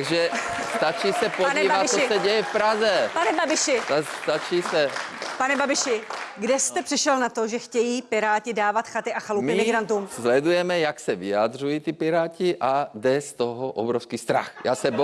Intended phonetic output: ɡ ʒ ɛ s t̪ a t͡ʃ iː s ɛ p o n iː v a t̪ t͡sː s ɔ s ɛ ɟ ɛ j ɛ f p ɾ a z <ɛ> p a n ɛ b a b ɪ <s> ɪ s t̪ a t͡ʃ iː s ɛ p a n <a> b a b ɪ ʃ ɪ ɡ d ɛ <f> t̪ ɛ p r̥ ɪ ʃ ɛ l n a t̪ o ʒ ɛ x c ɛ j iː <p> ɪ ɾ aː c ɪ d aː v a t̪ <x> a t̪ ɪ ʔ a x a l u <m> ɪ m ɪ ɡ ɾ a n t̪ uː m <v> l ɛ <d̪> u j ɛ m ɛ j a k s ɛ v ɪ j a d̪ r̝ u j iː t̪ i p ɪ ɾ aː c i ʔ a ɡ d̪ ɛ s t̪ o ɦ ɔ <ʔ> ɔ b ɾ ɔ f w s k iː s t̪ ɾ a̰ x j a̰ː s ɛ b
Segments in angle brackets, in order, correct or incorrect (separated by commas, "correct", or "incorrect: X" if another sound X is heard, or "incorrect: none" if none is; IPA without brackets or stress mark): correct, incorrect: ʃ, incorrect: ɛ, incorrect: s, correct, correct, correct, incorrect: z, correct, correct